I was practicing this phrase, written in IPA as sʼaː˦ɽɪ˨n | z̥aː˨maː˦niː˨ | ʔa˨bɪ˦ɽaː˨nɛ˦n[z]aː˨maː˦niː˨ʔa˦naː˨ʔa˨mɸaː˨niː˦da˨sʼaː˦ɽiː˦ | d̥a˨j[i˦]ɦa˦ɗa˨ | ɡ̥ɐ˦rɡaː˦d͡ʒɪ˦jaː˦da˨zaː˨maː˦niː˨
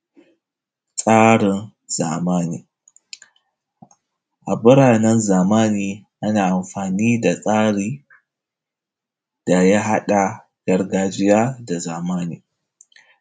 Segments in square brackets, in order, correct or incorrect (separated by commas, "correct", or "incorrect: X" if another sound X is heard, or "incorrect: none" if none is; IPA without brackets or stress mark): correct, incorrect: a˦